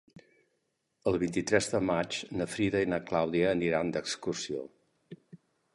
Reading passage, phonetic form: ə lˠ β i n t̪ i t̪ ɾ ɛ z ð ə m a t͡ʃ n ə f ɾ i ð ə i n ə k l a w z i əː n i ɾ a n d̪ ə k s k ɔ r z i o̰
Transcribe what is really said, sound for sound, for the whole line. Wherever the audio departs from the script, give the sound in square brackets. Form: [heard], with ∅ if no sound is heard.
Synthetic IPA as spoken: ə lˠ β i n t̪ i t̪ ɾ ɛ z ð ə m a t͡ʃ n ə f ɾ i ð ə i n ə k l a w [ð] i əː n i ɾ a n d̪ ə k s k [u] r [s] i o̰